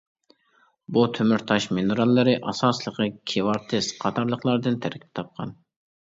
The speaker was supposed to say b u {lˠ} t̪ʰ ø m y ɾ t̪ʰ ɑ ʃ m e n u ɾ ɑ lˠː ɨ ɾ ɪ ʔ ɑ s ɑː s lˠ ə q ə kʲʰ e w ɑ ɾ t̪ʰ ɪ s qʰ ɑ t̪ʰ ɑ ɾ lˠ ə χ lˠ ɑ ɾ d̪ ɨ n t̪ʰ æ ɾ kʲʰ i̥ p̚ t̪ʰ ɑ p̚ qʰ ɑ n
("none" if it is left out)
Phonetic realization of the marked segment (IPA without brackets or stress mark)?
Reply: none